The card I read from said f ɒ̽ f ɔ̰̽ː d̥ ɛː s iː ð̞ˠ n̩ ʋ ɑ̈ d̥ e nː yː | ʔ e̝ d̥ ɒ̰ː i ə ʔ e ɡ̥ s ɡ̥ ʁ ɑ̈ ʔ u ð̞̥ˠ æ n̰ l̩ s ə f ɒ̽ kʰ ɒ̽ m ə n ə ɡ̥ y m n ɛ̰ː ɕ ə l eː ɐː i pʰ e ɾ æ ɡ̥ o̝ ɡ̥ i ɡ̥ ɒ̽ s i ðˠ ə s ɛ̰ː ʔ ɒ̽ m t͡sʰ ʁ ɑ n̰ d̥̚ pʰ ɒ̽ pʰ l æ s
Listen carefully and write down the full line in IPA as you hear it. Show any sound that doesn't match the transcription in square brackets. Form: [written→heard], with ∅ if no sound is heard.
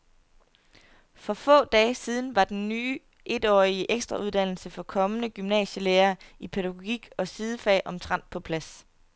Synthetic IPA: f ɒ̽ f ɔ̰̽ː d̥ ɛː s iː ð̞ˠ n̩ ʋ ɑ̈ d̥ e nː yː | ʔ e̝ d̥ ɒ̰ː i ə ʔ e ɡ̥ s [ɡ̥→d̥] ʁ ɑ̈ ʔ u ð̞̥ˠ æ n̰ l̩ s ə f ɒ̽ kʰ ɒ̽ m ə n ə ɡ̥ y m n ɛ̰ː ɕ ə l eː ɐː i pʰ e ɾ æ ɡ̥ o̝ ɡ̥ i ɡ̥ ɒ̽ s i ðˠ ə [s→f] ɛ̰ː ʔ ɒ̽ m t͡sʰ ʁ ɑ n̰ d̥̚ pʰ ɒ̽ pʰ l æ s